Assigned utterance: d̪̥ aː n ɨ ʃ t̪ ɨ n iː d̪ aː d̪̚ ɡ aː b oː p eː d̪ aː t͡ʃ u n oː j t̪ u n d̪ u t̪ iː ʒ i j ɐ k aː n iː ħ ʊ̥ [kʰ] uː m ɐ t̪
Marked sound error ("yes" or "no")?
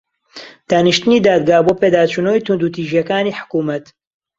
yes